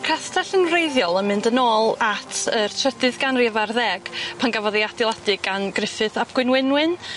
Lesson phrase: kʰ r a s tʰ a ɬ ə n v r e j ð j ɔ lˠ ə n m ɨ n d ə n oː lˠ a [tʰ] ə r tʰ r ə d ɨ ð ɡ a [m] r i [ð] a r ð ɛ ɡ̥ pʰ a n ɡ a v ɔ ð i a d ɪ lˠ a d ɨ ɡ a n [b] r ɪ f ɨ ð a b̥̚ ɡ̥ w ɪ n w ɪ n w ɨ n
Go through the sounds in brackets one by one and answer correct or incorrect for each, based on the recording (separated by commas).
correct, incorrect, incorrect, incorrect